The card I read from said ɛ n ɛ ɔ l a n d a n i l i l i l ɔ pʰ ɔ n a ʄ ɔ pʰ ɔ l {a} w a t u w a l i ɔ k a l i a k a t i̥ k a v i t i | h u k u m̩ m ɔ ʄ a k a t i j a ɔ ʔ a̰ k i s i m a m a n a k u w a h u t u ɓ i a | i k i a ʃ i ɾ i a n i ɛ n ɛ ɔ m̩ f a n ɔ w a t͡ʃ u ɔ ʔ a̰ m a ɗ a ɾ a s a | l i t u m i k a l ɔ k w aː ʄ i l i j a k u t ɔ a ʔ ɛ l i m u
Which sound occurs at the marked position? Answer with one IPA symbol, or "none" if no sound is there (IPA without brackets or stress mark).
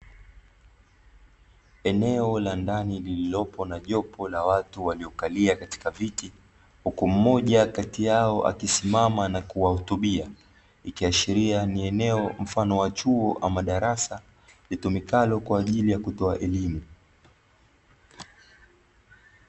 a